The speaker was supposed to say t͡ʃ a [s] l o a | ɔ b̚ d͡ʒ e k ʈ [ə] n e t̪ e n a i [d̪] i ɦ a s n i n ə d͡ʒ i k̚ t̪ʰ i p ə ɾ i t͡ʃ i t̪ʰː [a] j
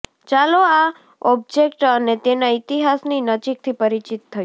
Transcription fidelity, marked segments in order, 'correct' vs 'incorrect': incorrect, correct, incorrect, incorrect

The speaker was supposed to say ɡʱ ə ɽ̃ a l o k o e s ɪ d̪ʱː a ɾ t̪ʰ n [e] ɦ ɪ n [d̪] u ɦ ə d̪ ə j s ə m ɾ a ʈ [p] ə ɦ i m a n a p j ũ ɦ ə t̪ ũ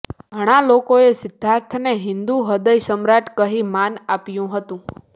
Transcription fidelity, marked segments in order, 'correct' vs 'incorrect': correct, correct, incorrect

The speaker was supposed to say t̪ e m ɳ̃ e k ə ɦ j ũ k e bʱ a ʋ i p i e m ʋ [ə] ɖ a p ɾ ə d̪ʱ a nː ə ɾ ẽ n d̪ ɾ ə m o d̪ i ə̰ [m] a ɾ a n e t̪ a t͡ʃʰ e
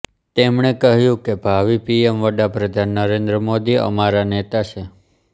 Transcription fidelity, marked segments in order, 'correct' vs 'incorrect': correct, correct

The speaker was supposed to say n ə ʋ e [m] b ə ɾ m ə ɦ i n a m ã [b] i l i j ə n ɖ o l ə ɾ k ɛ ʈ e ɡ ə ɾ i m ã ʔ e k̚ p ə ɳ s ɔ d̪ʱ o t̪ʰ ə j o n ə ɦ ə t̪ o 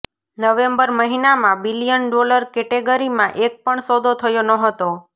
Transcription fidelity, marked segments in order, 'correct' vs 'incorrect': correct, correct

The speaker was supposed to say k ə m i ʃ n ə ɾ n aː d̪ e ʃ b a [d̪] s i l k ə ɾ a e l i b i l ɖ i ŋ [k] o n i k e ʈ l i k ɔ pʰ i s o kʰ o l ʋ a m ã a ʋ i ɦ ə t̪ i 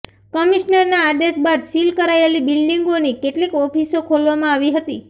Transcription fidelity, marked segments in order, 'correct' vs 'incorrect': correct, incorrect

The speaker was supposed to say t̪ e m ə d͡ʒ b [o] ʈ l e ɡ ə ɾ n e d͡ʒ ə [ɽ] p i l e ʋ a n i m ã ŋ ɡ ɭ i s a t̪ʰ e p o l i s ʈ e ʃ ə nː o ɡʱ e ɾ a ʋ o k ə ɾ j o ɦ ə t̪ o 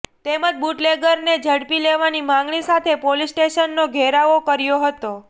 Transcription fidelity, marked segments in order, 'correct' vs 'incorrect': incorrect, correct

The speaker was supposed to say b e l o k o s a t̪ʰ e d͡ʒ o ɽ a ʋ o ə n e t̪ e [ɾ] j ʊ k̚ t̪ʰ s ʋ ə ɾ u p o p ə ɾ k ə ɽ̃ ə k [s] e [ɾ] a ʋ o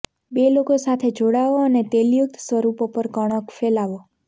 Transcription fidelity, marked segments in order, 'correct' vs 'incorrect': incorrect, incorrect, incorrect

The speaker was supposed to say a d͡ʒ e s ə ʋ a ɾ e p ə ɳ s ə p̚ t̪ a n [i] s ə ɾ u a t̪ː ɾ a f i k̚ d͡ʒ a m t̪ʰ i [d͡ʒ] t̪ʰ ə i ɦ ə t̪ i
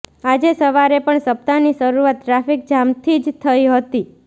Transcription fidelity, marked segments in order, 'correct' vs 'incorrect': correct, correct

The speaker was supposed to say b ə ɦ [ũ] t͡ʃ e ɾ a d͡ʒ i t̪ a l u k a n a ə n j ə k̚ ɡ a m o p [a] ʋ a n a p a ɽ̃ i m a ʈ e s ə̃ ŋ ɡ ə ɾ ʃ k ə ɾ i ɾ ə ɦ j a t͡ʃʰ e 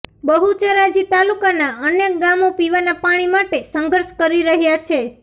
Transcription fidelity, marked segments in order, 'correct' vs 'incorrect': incorrect, incorrect

